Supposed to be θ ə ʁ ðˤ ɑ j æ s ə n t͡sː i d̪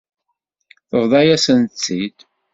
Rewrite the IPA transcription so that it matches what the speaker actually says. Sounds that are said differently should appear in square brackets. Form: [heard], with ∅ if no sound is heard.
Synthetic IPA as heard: θ ə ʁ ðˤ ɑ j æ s ə n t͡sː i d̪